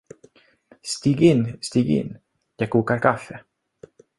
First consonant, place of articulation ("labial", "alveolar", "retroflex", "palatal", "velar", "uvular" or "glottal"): alveolar